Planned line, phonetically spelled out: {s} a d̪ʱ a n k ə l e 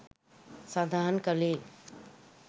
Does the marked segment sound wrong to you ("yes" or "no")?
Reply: no